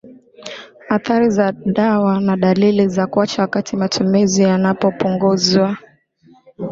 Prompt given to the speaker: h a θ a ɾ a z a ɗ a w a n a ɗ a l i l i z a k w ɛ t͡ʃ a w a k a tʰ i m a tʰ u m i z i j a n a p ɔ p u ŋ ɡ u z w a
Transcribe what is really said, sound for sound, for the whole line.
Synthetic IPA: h a θ a ɾ i z a ɗ a w a n a ɗ a l i l i z a k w a t͡ʃ a w a k a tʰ i m a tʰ u m i z i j a n a p ɔ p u ŋ ɡ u z w a